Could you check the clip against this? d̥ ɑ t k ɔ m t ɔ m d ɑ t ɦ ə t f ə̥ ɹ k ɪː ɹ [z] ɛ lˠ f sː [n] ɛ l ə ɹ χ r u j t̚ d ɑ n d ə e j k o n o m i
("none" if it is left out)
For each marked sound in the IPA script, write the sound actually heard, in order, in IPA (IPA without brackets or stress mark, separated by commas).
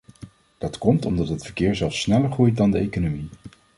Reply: z, n